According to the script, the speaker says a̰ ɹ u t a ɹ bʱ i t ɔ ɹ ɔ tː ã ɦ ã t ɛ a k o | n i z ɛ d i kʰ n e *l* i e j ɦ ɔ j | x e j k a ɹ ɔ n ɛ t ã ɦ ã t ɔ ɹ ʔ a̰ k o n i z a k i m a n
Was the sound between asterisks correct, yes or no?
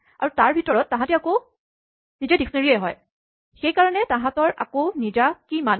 no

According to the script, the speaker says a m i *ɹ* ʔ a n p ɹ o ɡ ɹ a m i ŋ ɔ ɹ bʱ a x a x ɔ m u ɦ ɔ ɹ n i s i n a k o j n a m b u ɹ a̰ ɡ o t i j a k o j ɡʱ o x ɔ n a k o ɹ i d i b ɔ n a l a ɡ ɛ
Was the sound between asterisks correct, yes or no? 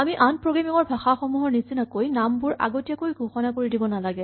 no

